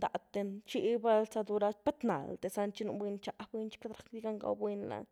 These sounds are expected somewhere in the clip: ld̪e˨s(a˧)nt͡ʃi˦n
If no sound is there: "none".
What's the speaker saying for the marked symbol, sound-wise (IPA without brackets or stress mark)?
a˧